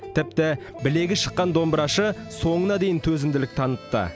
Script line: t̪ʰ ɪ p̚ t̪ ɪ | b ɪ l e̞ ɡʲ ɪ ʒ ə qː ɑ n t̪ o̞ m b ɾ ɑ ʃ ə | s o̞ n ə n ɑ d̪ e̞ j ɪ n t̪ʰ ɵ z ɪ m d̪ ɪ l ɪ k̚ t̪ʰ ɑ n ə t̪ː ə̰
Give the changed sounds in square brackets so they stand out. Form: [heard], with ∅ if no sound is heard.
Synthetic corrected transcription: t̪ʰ ɪ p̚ t̪ ɪ | b ɪ l e̞ ɡʲ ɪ [ʃ] ə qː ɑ n [d̪] o̞ m b ɾ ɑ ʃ ə | s o̞ [ɴ] ə n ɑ d̪ e̞ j ɪ n t̪ʰ ɵ z ɪ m d̪ ɪ l ɪ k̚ t̪ʰ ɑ n ə t̪ː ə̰